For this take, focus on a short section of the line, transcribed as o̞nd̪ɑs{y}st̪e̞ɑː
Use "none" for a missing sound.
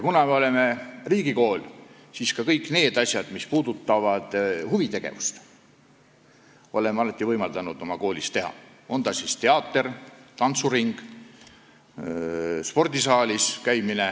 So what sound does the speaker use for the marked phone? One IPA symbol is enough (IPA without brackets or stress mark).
i